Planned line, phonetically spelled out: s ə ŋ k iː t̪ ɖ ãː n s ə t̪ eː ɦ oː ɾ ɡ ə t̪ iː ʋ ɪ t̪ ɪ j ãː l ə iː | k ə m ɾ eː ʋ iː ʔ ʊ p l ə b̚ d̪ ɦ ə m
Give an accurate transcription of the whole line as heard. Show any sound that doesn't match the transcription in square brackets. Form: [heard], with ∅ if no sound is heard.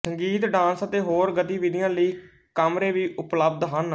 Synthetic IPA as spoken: s ə ŋ [ɡ] iː t̪ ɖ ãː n s ə t̪ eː ɦ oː ɾ ɡ ə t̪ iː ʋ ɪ [d̪] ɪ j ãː l ə iː | k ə m ɾ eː ʋ iː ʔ ʊ p l ə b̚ d̪ ɦ ə [n]